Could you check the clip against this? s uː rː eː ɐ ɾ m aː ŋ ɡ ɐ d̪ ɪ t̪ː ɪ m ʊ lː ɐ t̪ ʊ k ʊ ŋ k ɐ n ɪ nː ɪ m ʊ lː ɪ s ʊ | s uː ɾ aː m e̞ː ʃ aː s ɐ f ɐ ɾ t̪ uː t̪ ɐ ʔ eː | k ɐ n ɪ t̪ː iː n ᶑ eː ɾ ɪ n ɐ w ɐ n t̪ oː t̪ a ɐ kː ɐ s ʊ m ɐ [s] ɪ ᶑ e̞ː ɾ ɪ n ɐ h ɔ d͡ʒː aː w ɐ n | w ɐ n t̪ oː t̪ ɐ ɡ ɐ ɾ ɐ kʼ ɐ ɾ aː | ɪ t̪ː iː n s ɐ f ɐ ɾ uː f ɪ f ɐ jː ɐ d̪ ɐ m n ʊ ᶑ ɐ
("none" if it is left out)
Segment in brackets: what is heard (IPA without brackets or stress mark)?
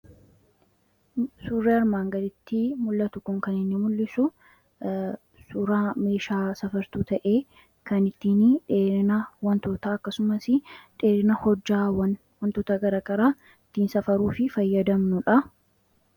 s